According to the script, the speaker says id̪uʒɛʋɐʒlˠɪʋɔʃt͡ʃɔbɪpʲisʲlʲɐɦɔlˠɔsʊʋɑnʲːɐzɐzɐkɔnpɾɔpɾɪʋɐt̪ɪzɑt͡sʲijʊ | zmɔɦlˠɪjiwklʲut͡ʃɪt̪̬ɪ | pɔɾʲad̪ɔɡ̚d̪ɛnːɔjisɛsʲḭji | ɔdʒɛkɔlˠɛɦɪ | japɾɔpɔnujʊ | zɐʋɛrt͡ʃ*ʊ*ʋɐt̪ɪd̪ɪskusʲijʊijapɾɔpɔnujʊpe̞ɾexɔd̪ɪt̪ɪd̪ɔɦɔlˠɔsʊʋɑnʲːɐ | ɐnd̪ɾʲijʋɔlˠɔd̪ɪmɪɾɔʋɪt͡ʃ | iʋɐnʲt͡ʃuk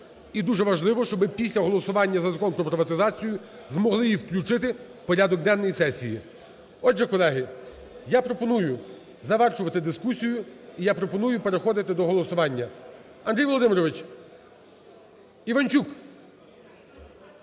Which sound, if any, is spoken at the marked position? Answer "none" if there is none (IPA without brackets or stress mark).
ʊ